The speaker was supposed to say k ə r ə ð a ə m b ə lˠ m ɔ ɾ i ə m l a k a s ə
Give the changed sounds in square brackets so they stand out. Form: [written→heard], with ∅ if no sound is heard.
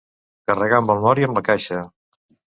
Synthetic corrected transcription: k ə r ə [ð→ɣ] a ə m b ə lˠ m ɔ ɾ i ə m l [a→ə] k a [s→ʃ] ə